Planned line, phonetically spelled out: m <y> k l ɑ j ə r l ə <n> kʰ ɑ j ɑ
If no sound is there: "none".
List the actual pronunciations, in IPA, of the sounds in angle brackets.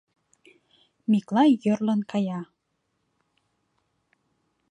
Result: i, n

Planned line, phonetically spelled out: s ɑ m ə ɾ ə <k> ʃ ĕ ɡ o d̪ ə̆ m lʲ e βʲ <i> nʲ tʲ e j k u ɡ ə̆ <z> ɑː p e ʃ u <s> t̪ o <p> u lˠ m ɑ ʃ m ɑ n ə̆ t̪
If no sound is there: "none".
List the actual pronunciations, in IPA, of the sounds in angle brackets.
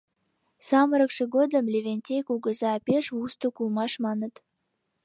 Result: k, e, z, s, k

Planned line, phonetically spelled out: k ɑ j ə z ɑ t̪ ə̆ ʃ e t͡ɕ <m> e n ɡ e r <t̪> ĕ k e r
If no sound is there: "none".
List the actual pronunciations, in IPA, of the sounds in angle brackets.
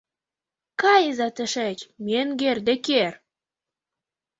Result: m, d̪

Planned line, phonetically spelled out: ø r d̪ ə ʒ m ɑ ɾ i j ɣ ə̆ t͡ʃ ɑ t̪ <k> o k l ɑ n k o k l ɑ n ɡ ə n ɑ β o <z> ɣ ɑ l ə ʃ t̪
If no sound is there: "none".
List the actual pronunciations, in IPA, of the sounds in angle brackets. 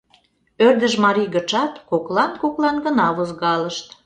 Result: k, z

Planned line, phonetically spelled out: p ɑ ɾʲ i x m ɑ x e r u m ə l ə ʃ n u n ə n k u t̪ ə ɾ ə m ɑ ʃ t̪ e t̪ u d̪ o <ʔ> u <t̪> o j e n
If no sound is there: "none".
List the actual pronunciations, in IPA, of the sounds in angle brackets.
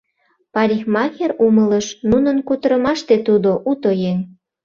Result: ʔ, t̪

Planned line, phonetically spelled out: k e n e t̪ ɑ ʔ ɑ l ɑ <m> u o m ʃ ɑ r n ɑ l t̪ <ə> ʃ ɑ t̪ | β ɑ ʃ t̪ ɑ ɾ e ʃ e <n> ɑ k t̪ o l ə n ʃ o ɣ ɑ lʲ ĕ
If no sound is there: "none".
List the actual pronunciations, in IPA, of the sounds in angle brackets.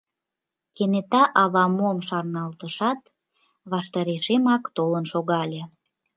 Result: m, ə, m

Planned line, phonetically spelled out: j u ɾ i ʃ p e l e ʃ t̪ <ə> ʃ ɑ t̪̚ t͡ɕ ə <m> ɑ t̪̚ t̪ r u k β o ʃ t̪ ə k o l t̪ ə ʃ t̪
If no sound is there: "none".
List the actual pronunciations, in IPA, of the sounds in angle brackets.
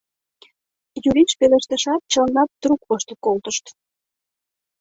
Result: ə, n

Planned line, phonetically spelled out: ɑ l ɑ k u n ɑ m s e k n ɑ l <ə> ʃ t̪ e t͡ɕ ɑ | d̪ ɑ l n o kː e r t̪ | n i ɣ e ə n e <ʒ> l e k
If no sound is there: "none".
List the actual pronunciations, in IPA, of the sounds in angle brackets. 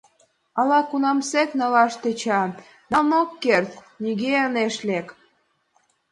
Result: ɑ, ʃ

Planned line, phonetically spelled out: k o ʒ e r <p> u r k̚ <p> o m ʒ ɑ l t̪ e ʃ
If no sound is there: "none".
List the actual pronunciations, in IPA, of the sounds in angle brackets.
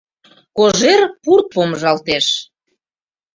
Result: p, p

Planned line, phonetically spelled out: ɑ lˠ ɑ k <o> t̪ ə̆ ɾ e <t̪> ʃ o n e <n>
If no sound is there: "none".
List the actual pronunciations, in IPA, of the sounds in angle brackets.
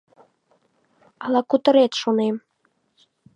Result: u, t̪, m

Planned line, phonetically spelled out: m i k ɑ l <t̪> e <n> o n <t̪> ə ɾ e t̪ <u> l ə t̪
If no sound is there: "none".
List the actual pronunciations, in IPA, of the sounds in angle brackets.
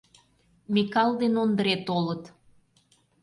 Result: d̪, n, d̪, o

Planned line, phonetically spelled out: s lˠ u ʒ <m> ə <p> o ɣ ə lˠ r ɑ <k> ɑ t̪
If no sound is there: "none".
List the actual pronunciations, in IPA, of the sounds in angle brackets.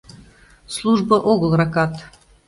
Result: b, ʔ, k

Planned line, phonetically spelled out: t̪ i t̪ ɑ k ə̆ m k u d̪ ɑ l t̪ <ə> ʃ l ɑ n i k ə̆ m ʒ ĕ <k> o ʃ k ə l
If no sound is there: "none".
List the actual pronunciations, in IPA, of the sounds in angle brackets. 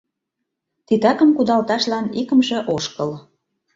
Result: ɑ, ʔ

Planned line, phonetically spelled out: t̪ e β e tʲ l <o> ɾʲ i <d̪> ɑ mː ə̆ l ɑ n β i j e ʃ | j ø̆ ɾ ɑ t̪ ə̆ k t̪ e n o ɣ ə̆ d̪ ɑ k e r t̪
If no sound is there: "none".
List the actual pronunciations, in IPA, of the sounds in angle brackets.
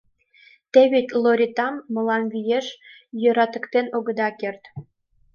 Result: o, t̪

